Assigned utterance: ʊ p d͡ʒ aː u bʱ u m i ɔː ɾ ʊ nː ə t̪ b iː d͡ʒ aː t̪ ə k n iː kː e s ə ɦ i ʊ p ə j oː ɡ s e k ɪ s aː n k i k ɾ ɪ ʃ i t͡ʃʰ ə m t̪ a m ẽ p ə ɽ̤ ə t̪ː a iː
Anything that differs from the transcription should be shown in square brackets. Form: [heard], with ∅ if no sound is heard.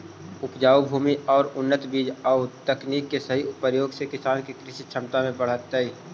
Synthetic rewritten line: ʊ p d͡ʒ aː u bʱ [uː] m i ɔː ɾ ʊ nː ə t̪ b iː d͡ʒ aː t̪ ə k n iː kː e s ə ɦ i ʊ p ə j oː ɡ s e k ɪ s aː n k i k ɾ ɪ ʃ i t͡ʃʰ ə m t̪ a m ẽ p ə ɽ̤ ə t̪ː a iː